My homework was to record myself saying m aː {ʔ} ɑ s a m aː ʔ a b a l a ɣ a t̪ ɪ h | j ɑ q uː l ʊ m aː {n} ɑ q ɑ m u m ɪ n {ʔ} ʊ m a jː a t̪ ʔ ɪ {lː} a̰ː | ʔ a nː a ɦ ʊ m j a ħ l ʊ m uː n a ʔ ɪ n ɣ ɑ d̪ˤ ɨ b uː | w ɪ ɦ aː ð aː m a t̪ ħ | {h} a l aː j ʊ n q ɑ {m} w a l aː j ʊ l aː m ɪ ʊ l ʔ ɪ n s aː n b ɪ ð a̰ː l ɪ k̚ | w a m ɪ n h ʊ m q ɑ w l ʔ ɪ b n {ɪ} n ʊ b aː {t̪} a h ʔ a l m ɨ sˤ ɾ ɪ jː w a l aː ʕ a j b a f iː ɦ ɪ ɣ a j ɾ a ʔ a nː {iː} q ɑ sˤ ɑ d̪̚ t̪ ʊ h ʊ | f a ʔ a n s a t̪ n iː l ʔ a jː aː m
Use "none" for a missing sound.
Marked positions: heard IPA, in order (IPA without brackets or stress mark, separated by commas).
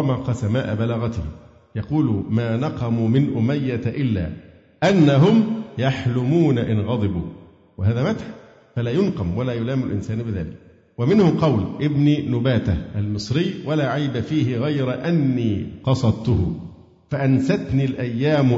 q, n, ʔ, lː, f, m, i, t̪, iː